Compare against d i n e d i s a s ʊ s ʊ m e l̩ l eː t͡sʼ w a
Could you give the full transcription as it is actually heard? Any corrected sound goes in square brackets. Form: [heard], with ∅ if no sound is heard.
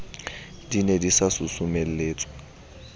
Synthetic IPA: d i n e d i s a s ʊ s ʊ m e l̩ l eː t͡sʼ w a

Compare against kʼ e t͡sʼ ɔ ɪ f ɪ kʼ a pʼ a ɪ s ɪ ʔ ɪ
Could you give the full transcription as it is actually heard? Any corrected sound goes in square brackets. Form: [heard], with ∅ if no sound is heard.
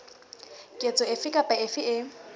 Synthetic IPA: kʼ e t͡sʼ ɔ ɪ f ɪ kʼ a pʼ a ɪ [f] ɪ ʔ ɪ

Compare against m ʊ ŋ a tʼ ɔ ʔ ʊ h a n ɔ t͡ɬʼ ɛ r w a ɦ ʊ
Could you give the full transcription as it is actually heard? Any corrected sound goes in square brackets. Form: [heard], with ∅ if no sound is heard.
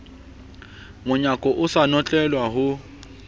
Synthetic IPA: m ʊ [ɲ] a [kʼ] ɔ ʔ ʊ [s] a n ɔ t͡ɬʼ ɛ [l] w a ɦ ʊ

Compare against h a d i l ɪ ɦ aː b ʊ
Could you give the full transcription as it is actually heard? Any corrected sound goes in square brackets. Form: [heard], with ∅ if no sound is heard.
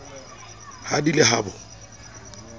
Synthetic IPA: h a d i l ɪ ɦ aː b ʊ

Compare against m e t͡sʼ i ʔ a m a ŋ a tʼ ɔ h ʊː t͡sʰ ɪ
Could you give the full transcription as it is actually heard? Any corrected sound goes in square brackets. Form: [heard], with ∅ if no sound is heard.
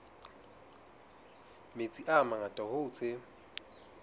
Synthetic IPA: m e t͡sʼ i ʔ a m a ŋ a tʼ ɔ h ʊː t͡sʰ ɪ

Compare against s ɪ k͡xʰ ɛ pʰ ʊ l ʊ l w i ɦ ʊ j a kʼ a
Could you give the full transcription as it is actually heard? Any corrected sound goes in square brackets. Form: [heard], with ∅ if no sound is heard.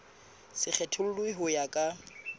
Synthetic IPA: s ɪ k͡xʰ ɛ [tʰ] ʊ l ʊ l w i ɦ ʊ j a kʼ a

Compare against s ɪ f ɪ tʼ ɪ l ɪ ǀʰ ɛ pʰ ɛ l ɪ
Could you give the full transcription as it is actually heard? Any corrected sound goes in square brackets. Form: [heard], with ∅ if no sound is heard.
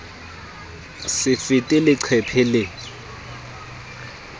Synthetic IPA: s ɪ f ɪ tʼ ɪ l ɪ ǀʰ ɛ pʰ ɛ l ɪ

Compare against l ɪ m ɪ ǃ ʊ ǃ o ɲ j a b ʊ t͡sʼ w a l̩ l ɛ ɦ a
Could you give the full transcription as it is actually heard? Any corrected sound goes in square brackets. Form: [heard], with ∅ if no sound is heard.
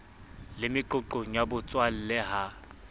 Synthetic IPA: l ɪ m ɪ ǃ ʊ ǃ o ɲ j a b ʊ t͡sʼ w a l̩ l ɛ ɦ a

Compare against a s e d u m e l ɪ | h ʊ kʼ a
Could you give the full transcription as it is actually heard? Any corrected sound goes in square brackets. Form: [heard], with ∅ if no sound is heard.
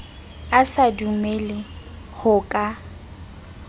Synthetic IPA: a s [a] d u m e l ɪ | h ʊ kʼ a

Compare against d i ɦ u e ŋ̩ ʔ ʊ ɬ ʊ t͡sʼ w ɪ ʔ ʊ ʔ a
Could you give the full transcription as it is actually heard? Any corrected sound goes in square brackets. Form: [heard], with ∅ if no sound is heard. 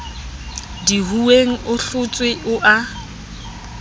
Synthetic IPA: d i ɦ u e ŋ̩ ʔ ʊ ɬ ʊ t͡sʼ w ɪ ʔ ʊ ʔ a

